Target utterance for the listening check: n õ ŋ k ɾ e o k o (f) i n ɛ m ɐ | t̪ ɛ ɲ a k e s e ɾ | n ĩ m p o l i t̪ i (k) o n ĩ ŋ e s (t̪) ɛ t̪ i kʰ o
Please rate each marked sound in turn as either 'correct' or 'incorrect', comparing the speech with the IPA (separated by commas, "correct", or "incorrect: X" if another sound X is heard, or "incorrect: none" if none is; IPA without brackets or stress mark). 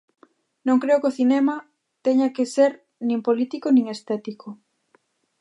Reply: incorrect: θ, correct, correct